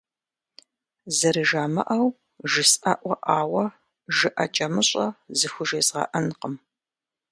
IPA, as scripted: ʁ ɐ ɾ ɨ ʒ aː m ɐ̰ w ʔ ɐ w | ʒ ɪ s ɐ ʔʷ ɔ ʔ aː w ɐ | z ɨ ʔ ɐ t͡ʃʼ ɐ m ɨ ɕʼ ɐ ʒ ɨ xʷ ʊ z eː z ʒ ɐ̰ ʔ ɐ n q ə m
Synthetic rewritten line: z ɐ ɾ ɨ ʒ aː m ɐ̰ ʔ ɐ w | ʒ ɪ s ɐ ʔʷ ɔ ʔ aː w ɐ | ʒ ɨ ʔ ɐ t͡ʃʼ ɐ m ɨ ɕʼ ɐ z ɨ xʷ ʊ ʒ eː z ʁ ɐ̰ ʔ ɐ n q ə m